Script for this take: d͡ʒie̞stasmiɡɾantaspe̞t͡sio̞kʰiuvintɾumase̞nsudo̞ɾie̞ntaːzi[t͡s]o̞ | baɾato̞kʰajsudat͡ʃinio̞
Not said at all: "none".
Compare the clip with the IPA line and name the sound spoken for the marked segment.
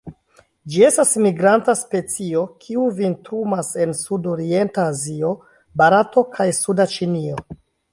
none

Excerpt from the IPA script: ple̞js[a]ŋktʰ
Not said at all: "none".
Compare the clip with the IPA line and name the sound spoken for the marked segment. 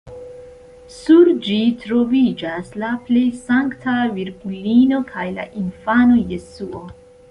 a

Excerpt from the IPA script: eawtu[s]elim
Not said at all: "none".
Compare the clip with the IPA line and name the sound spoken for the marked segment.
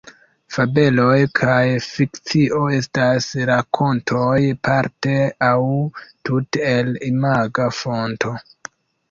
t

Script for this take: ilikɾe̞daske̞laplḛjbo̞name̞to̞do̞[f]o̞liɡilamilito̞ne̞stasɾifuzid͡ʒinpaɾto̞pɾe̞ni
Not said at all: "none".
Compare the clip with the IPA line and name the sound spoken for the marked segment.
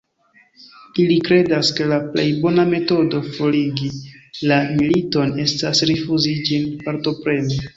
f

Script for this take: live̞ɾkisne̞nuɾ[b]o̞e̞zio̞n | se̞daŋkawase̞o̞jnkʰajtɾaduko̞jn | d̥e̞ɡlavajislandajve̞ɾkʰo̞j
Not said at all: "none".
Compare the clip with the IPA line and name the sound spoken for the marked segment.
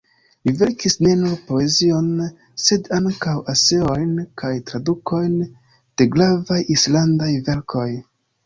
p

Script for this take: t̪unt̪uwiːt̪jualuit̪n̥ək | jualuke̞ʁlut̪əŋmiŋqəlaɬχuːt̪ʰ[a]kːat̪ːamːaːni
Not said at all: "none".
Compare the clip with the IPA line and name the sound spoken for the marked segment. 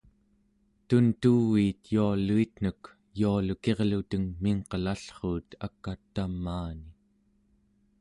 a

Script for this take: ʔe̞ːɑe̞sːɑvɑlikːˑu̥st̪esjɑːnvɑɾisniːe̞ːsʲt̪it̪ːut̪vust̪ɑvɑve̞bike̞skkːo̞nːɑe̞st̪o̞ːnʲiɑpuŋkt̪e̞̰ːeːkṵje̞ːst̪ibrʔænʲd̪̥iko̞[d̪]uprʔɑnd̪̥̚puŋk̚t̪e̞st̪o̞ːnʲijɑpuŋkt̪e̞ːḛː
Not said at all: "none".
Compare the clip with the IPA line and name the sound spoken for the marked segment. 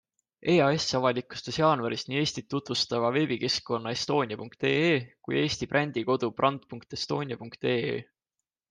d̪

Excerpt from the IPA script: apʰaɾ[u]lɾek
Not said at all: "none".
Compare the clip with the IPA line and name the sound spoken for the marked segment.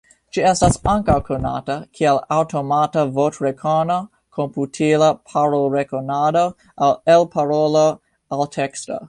o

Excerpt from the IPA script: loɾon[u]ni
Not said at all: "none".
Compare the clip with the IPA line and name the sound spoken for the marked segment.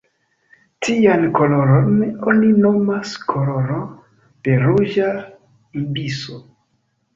o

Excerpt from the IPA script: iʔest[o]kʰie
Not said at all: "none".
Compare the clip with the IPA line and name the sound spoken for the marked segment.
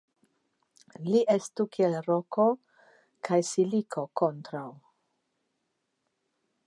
u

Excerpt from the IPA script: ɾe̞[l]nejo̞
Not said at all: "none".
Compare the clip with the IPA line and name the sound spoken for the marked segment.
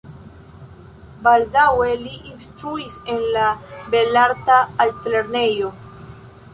ɾ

